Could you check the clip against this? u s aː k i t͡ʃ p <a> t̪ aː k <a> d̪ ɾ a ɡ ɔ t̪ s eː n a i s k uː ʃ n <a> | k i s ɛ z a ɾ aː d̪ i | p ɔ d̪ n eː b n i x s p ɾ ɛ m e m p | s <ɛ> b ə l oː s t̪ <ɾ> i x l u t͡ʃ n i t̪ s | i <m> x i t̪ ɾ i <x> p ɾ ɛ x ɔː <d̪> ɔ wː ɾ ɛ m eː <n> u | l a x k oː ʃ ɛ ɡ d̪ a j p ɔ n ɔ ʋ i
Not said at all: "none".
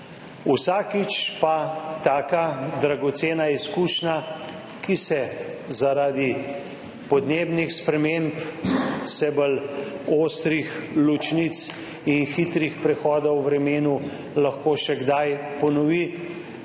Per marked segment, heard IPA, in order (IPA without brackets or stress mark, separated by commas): a, a, a, ɛ, ɾ, n, x, d̪, n